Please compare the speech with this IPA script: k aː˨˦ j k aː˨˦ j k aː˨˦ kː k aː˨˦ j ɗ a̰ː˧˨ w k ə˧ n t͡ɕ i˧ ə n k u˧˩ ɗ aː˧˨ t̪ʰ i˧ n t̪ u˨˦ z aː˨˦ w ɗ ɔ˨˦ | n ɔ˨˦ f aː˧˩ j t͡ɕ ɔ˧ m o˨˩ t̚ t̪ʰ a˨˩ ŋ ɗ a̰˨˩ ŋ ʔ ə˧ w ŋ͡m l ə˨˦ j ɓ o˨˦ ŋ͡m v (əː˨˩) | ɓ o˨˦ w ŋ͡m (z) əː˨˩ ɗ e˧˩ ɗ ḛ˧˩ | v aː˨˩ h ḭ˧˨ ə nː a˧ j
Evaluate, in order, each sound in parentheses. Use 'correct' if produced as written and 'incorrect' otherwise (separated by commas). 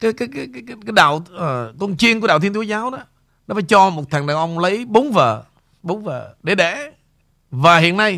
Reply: correct, incorrect